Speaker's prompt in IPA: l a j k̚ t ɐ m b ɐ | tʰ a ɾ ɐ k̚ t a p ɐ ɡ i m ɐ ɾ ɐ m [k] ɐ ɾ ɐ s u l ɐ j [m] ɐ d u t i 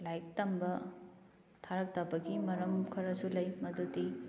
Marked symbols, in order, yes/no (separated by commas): no, yes